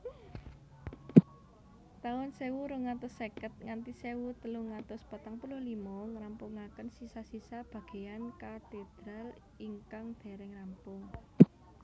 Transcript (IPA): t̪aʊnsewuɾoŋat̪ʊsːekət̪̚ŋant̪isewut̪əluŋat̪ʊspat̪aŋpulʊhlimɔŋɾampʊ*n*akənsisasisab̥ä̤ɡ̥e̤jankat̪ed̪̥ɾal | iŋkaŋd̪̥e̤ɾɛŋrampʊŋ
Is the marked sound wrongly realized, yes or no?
yes